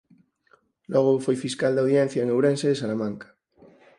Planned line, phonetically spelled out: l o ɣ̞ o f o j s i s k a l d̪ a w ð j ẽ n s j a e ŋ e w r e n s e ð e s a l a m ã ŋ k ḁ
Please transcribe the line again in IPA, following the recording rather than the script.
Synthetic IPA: l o ɣ̞ o f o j f i s k a l d̪ a w ð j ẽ n θ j a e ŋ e w ɾ e n s e ð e s a l a m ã ŋ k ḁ